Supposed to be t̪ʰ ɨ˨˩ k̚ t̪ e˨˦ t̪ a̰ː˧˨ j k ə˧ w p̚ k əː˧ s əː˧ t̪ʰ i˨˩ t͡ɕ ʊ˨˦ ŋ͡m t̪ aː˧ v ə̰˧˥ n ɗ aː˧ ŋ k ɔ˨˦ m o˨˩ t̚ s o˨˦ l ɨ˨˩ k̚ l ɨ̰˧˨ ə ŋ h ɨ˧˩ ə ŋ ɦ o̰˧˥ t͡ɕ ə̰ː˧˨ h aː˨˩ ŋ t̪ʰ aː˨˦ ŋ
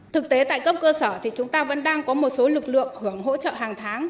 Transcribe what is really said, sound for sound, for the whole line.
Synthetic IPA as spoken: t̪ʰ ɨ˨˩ k̚ t̪ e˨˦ t̪ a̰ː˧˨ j k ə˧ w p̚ k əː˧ s əː˧˩ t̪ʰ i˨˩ t͡ɕ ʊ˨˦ ŋ͡m t̪ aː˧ v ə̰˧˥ n ɗ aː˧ ŋ k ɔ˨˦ m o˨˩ t̚ s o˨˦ l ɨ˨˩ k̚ l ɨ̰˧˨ ə ŋ h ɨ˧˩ ə ŋ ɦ o̰˧˥ t͡ɕ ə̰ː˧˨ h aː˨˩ ŋ t̪ʰ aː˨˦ ŋ